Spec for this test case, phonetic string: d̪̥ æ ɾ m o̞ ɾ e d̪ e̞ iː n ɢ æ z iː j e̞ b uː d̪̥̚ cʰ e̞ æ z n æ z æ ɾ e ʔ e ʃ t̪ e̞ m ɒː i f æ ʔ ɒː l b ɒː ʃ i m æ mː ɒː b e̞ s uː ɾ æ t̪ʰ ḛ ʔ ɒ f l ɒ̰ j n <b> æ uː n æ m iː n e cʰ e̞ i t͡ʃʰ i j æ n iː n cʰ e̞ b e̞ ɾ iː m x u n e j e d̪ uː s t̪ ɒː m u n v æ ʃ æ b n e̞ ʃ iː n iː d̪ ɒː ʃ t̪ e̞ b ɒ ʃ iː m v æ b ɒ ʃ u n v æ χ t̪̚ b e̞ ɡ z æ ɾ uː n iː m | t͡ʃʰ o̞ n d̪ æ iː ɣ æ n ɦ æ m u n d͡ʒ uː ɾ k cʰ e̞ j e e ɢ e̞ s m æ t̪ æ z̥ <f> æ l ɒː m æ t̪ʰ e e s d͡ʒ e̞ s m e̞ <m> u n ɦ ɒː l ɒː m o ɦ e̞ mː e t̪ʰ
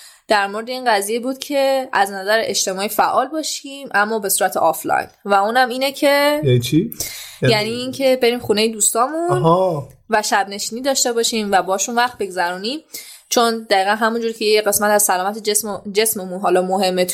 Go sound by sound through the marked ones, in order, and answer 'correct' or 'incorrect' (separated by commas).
incorrect, incorrect, correct